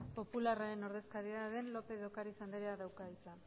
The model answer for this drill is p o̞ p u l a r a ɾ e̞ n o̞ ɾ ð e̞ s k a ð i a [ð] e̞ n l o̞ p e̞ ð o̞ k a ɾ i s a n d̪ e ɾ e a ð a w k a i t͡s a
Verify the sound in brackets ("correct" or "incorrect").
correct